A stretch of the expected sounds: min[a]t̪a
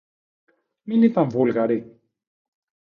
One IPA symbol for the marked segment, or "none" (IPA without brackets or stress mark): i